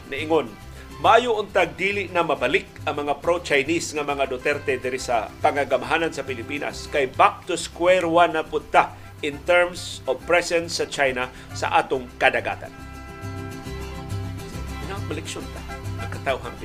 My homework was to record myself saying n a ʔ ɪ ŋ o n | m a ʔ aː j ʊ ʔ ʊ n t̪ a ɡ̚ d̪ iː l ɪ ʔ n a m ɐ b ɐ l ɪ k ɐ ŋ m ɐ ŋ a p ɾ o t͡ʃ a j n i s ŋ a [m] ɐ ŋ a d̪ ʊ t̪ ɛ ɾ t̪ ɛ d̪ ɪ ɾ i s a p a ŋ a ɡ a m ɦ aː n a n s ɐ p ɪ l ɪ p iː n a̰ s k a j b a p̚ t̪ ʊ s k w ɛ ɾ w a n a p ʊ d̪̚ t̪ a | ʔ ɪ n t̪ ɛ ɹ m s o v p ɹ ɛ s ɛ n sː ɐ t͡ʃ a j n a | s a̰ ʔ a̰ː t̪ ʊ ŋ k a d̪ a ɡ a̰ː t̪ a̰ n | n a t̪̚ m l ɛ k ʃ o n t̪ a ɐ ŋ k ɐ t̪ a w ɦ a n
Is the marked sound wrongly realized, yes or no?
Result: no